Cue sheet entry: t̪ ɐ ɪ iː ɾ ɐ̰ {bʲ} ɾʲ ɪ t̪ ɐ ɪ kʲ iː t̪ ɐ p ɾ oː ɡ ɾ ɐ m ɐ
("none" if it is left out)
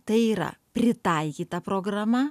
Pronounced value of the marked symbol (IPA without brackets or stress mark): pʲ